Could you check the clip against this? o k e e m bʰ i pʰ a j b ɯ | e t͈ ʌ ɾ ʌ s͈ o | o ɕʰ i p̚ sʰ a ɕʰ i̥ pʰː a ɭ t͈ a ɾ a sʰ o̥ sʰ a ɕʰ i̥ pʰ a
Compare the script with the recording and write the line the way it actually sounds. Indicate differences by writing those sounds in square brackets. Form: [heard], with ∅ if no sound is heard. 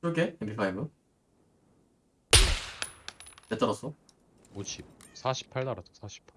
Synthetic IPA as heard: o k e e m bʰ i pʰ a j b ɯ | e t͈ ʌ ɾ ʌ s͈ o | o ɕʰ i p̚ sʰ a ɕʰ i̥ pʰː a ɭ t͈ a ɾ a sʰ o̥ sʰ a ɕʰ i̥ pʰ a